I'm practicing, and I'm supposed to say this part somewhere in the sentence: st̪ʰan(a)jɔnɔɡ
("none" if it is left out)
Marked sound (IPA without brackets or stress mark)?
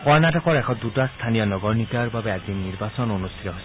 i